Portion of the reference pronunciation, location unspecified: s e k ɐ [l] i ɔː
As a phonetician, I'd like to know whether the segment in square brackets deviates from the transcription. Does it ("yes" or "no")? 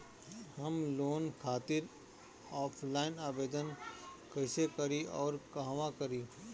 yes